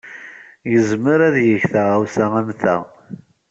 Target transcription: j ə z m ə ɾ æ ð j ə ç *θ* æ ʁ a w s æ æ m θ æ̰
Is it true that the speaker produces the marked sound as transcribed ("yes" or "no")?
yes